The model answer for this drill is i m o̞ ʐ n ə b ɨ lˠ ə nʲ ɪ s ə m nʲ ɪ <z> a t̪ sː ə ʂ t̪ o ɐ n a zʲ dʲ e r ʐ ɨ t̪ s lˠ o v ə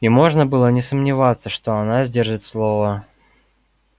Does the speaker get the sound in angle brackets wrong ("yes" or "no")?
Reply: yes